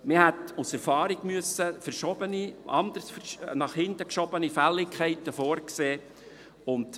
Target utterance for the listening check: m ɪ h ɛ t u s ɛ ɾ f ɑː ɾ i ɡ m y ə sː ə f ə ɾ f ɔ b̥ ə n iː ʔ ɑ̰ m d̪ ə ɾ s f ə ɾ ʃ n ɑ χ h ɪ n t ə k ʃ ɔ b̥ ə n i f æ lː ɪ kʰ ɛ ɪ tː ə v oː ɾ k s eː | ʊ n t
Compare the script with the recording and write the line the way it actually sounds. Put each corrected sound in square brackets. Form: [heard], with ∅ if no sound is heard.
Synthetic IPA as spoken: m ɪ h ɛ t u s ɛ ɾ f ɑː ɾ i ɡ m y ə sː ə f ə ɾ [ʃ] ɔ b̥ ə n [i] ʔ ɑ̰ [n] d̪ ə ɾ s f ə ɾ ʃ n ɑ χ h ɪ n t ə k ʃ ɔ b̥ ə n i f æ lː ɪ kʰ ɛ ɪ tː ə [f] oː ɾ k s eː | ʊ n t